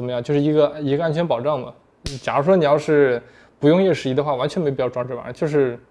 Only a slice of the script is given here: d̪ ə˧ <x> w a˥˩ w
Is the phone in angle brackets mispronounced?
no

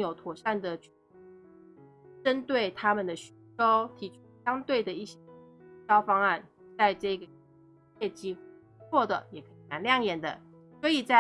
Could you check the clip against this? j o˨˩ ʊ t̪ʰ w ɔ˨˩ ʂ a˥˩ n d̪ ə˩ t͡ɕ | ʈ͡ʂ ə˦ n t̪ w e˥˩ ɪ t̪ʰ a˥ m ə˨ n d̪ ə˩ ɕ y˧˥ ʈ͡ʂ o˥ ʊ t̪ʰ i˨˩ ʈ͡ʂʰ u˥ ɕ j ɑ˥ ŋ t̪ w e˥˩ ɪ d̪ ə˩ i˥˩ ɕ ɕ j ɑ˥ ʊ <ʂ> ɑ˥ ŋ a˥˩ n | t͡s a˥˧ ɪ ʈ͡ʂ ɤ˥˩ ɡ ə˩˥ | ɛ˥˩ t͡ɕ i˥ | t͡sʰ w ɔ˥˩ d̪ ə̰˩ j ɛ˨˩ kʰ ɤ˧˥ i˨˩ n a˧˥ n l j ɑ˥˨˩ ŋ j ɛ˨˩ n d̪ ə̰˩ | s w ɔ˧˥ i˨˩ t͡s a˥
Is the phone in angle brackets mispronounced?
yes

